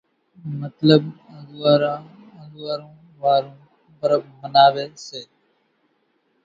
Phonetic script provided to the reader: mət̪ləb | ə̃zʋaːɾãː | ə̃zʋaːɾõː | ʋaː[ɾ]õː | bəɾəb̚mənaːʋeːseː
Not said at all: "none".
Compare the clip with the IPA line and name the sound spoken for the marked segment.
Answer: ɾ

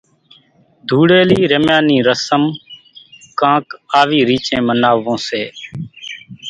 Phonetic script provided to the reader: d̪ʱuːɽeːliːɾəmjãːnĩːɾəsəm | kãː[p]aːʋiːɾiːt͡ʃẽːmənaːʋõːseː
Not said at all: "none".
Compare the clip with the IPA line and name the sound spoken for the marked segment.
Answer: k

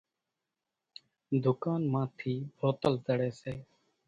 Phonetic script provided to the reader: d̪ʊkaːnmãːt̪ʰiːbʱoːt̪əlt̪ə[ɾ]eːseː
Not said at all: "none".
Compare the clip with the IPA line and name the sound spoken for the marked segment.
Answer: ɽ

